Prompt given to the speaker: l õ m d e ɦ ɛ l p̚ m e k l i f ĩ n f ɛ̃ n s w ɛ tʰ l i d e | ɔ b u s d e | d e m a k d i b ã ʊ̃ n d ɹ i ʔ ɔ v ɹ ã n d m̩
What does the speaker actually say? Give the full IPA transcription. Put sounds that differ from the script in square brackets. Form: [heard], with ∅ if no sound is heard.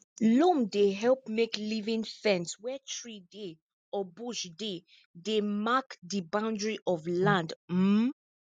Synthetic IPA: l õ m d e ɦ ɛ l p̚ m e k l i [v] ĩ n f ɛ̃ n s w ɛ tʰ [ɹ] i d e | ɔ b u [ʃ] d e | d e m a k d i b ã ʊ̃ n d ɹ i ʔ ɔ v [l] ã n d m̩